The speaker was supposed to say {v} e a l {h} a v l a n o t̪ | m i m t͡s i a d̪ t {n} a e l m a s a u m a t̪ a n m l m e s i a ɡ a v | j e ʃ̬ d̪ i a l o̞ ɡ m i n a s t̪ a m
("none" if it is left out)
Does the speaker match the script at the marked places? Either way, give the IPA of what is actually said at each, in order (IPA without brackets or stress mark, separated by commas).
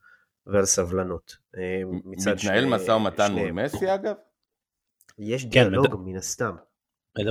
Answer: v, s, n